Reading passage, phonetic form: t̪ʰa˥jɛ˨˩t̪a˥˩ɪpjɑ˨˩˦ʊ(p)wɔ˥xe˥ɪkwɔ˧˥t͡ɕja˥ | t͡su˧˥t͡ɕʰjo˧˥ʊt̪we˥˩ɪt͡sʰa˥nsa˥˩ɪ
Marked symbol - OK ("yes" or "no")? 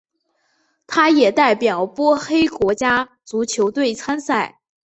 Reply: yes